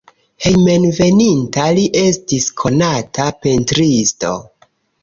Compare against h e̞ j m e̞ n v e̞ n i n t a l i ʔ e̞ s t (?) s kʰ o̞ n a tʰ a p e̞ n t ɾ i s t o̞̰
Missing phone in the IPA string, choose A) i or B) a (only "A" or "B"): A